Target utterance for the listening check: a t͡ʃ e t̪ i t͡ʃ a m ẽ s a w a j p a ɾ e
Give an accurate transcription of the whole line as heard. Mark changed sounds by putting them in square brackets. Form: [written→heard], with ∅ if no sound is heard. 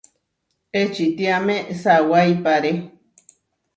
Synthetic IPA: [a→e] t͡ʃ [e→i] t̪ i [t͡ʃ→∅] a m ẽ s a w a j p a ɾ e

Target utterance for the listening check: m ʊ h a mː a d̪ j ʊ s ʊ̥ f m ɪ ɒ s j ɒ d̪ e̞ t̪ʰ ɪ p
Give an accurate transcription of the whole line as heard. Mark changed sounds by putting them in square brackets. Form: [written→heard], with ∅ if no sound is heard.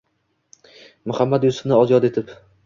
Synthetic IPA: m ʊ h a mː a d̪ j ʊ s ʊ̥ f [m→n] ɪ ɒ [s→z] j ɒ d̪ e̞ t̪ʰ ɪ p

